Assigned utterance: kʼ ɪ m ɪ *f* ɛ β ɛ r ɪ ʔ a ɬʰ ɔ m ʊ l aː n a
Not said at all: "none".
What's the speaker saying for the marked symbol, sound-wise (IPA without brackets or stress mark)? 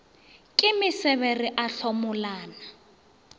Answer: s